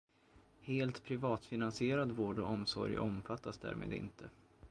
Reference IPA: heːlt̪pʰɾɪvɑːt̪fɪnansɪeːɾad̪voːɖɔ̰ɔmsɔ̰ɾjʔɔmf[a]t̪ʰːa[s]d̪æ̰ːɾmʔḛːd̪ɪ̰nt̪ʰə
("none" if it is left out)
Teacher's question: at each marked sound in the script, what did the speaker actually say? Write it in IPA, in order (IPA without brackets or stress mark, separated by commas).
a, s